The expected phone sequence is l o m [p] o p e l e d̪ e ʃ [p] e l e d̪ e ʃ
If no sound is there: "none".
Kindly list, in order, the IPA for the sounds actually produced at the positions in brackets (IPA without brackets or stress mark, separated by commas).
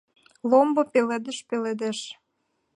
b, p